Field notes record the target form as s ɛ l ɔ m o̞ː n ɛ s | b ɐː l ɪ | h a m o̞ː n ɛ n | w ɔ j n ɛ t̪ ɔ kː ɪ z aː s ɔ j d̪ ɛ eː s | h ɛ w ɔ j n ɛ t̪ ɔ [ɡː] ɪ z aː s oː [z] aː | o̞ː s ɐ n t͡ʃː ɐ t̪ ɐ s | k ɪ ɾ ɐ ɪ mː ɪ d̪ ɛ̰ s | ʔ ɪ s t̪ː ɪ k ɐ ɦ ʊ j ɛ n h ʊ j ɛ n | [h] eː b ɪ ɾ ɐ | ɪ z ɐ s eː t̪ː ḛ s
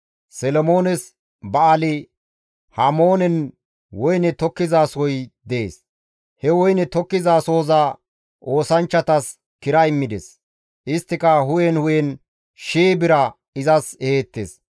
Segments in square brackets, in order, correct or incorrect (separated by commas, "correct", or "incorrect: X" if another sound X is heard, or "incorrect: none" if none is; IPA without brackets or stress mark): incorrect: kː, correct, incorrect: ʃ